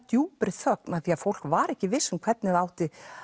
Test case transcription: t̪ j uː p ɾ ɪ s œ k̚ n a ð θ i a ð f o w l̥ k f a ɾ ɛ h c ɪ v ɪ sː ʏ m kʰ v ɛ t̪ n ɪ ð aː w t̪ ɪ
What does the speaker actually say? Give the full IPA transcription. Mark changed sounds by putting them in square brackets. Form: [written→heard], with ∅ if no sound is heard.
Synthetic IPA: t̪ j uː p ɾ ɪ [s→θ] œ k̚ n a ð θ i a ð f o w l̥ k [f→v] a ɾ ɛ h c ɪ v ɪ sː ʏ m kʰ v ɛ t̪ n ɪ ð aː w t̪ ɪ